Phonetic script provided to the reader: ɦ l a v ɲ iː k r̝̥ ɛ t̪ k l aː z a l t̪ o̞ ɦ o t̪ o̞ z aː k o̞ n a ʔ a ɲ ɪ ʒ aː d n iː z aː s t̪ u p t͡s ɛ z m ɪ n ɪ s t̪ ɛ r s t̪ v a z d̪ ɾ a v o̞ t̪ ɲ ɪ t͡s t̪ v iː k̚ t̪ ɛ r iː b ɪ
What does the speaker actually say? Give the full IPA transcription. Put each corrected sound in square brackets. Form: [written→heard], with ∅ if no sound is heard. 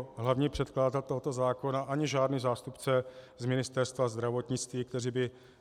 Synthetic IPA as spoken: ɦ l a v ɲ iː [k→p] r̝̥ ɛ t̪ k l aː z a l t̪ o̞ ɦ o t̪ o̞ z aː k o̞ n a ʔ a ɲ ɪ ʒ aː d n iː z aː s t̪ u p t͡s ɛ z m ɪ n ɪ s t̪ ɛ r s t̪ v a z d̪ ɾ a v o̞ t̪ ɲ ɪ t͡s t̪ v iː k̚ t̪ ɛ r iː b ɪ